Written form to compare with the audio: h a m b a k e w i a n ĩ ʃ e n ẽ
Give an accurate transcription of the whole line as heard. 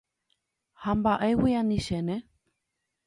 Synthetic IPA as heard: h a m b a ʔ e w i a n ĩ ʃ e n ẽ